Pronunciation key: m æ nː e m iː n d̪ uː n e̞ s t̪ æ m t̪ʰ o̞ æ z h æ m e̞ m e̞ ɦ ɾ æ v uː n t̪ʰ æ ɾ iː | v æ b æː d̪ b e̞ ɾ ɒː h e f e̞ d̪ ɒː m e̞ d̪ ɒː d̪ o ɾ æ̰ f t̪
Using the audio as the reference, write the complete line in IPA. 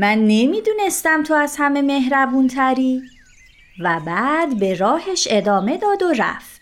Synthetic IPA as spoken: m æ nː e m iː d̪ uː n e̞ s t̪ æ m t̪ʰ o̞ æ z h æ m e̞ m e̞ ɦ ɾ æ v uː n t̪ʰ æ ɾ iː | v æ b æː d̪ b e̞ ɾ ɒː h e ʃ e̞ d̪ ɒː m e̞ d̪ ɒː d̪ o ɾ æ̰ f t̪